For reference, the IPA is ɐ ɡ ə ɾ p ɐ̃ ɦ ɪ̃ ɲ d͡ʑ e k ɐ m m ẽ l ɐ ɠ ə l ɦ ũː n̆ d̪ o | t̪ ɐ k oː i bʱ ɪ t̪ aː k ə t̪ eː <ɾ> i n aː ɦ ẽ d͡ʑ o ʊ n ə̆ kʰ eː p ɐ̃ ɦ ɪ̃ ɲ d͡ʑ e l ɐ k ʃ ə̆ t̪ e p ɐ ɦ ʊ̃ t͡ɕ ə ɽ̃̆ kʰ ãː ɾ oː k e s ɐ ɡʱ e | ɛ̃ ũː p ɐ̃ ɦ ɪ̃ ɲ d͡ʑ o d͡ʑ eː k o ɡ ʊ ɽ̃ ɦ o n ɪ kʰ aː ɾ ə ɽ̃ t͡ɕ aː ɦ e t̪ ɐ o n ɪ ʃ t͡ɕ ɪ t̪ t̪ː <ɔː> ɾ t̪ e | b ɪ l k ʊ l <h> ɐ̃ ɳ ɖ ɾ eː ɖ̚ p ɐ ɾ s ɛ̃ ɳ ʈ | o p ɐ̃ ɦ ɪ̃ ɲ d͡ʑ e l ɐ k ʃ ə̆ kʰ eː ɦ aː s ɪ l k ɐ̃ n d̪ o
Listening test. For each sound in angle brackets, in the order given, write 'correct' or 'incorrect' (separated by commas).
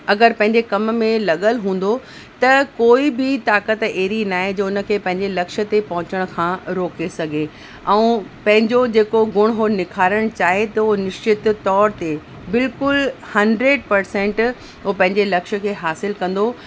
correct, correct, correct